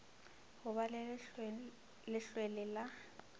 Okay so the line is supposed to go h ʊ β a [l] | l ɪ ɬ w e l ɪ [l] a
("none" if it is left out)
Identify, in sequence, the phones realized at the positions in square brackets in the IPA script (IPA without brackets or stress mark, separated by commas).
l, l